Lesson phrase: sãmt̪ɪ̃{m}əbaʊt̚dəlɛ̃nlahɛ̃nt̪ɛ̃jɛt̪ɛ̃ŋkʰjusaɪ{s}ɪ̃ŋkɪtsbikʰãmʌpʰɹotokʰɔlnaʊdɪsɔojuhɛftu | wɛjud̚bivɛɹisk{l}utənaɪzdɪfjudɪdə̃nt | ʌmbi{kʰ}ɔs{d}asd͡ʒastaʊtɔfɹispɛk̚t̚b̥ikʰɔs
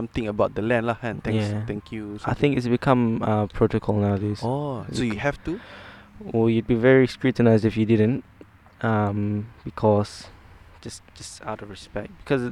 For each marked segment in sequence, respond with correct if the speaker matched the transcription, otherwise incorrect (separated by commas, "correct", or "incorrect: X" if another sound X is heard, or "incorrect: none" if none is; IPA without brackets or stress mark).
incorrect: ŋ, incorrect: θ, incorrect: ɹ, correct, incorrect: d͡ʒ